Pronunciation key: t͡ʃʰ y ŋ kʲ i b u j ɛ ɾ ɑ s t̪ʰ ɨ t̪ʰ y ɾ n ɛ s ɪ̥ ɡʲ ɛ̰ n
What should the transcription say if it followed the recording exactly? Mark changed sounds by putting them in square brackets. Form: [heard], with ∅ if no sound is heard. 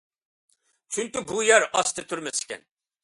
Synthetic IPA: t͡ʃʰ y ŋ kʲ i b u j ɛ ɾ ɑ s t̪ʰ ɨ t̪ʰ y ɾ [m] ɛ s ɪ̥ [kʲ] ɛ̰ n